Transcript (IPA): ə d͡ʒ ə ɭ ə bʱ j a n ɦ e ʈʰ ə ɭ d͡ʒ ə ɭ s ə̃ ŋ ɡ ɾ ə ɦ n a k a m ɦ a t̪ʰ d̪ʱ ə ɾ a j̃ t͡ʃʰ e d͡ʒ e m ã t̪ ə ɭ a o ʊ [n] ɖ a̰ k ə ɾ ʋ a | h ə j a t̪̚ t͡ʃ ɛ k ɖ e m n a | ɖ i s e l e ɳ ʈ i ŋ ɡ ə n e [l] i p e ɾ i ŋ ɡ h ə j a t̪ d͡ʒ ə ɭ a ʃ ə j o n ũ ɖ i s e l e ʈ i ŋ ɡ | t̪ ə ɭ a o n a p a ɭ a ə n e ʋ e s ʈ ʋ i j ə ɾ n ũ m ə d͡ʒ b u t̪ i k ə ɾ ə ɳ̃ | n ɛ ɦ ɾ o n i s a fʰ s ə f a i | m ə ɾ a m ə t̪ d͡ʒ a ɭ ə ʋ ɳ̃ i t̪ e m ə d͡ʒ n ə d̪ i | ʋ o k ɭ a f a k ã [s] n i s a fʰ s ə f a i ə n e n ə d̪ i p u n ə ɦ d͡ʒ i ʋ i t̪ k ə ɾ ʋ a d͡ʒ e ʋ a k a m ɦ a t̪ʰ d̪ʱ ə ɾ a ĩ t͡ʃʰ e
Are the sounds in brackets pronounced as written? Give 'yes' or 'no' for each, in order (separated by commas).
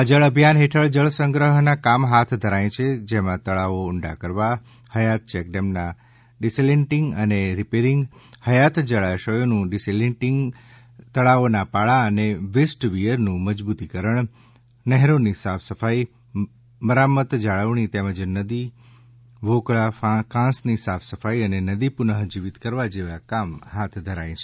no, no, yes